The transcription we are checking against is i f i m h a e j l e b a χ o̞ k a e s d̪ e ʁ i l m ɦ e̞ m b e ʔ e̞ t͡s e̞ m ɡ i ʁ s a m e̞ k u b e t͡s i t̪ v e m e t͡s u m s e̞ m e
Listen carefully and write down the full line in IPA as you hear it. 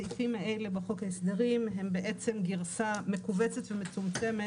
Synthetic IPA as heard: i f i m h a e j l e b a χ o̞ k a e s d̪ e ʁ i m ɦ e̞ m b e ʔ e̞ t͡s e̞ m ɡ i ʁ s a m e̞ k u v e t͡s e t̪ v e m e t͡s u m t͡s e̞ m e